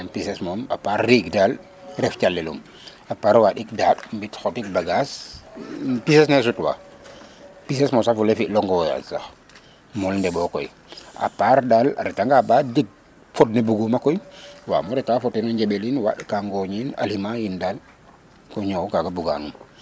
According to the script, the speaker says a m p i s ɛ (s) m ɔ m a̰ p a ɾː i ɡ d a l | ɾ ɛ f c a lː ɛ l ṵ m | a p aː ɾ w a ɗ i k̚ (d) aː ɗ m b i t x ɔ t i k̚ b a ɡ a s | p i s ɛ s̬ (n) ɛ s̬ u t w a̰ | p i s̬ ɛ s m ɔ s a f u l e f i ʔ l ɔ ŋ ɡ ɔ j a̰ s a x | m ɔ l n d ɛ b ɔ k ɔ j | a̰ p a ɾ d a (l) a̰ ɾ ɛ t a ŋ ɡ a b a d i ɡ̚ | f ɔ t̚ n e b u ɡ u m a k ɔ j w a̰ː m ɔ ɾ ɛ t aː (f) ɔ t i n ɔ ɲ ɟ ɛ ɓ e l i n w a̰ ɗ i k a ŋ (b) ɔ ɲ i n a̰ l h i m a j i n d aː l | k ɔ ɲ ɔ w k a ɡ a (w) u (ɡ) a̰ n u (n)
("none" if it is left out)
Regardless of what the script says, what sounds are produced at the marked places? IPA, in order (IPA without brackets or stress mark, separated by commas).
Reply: s, d, n, l, f, ɡ, b, ɡ, m